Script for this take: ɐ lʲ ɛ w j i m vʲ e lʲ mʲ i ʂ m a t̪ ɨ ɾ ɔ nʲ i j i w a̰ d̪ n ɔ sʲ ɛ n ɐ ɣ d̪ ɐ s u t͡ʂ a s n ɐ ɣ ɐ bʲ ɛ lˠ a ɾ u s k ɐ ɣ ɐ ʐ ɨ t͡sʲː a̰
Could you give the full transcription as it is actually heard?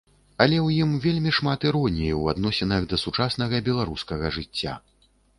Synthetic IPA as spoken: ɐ lʲ ɛ w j i m vʲ e lʲ mʲ i ʂ m a t̪ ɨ ɾ ɔ nʲ i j i w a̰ d̪ n ɔ sʲ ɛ n ɐ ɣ d̪ ɐ s u t͡ʂ a s n ɐ ɣ ɐ bʲ ɛ lˠ a ɾ u s k ɐ ɣ ɐ ʐ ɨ t͡sʲː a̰